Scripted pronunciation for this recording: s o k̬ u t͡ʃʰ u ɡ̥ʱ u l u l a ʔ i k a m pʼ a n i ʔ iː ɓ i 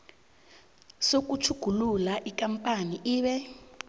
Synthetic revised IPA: s o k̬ u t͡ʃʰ u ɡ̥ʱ u l u l a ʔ i k a m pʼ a n i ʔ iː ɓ ɛ